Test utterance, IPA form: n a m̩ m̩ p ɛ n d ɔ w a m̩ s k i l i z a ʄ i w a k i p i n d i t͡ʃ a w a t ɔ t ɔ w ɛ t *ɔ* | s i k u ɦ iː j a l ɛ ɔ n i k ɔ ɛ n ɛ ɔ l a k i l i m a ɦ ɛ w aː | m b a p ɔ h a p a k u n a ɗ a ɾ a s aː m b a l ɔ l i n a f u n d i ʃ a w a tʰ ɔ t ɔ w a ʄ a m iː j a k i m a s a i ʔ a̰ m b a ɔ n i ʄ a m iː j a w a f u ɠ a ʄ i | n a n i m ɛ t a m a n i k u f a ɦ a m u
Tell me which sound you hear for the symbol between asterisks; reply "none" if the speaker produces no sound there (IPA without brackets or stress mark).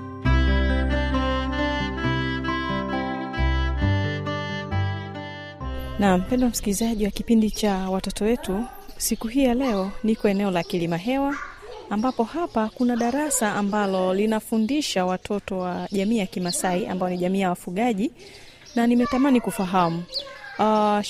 u